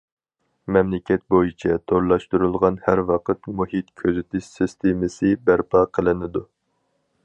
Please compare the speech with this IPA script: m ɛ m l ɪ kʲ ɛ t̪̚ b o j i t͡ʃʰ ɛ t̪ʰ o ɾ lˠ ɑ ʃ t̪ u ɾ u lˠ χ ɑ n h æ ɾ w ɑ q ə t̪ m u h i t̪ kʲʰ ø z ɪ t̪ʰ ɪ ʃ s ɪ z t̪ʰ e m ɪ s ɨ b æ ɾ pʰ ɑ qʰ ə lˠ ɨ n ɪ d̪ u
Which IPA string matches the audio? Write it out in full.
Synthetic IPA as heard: m ɛ m l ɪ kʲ ɛ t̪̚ b o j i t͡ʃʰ ɛ t̪ʰ o ɾ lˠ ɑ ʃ t̪ u ɾ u lˠ ʁ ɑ n h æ ɾ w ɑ q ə t̪ m u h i t̪ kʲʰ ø z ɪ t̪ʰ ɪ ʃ s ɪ s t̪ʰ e m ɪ s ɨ b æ ɾ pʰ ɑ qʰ ə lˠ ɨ n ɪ d̪ u